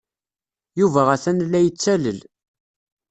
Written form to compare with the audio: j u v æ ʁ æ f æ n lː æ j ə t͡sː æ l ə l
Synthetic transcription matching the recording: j u v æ ʁ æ θ æ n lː æ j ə t͡sː æ l ə l